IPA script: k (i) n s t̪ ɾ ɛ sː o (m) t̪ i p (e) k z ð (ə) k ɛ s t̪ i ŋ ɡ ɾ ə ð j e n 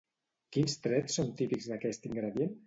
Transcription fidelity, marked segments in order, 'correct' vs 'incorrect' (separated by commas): correct, incorrect, incorrect, incorrect